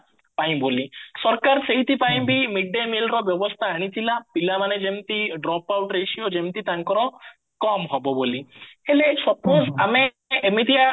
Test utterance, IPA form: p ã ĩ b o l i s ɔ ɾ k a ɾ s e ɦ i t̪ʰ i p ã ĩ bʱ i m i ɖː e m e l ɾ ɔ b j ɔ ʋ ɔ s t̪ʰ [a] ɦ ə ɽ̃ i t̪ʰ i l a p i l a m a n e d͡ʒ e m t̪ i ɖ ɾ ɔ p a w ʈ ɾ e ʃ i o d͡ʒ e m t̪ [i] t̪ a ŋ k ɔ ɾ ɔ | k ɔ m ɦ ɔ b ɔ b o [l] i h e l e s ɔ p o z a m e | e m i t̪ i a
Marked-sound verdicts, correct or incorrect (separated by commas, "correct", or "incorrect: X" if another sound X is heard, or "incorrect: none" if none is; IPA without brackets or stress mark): correct, correct, correct